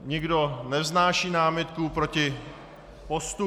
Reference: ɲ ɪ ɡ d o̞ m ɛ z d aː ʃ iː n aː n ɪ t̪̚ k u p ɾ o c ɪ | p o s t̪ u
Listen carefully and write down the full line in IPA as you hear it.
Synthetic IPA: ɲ ɪ ɡ d o̞ n ɛ z n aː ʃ iː n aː m ɪ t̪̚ k u p ɾ o c ɪ | p o s t̪ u